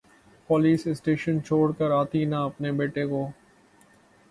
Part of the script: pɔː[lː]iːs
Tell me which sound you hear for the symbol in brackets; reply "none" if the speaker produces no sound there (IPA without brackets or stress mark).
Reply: l